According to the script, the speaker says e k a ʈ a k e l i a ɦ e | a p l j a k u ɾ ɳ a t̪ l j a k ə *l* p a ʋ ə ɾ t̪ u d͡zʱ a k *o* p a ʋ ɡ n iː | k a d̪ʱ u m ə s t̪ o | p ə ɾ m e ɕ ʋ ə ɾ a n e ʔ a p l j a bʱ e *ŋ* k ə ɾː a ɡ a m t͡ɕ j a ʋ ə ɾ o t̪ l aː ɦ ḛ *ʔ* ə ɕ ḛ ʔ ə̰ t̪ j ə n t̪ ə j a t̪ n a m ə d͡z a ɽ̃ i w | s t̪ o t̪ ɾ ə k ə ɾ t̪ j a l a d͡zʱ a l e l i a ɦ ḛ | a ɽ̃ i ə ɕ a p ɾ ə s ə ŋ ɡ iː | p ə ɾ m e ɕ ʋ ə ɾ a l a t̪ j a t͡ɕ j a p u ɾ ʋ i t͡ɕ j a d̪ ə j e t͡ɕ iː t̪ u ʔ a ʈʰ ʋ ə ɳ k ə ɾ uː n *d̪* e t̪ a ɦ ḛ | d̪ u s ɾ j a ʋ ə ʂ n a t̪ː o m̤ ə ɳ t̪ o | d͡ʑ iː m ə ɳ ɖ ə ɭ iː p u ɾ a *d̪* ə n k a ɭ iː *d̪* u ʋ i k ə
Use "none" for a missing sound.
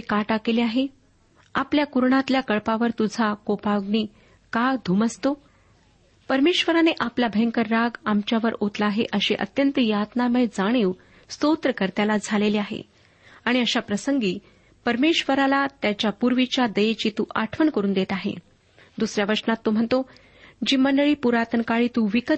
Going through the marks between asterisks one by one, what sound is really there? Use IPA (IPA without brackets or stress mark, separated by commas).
ɭ, o, ŋ, ʔ, d̪, t̪, t̪